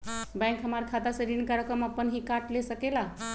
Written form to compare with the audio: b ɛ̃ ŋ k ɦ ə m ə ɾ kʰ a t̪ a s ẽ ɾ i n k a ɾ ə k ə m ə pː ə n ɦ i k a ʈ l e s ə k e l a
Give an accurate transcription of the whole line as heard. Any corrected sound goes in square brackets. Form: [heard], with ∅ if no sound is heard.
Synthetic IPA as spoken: b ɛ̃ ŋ k ɦ ə m [a] ɾ kʰ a t̪ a s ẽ ɾ i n k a ɾ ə k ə m ə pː ə n ɦ i k a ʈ l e s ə k e l a